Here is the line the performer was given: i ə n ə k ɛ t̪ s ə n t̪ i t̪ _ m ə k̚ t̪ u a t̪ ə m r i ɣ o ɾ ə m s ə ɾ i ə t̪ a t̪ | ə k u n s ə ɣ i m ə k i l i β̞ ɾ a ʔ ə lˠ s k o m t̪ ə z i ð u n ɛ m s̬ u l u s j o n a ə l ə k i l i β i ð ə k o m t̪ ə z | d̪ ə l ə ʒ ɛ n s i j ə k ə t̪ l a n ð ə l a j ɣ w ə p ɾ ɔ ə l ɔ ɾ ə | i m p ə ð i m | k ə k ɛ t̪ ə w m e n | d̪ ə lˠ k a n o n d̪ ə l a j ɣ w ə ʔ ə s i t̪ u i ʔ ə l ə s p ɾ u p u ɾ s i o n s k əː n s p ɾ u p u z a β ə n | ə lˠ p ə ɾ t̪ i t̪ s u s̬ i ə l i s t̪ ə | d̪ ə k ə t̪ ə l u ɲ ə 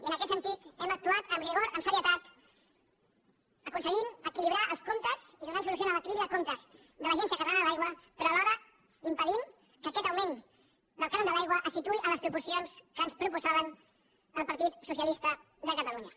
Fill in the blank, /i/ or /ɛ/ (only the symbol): ɛ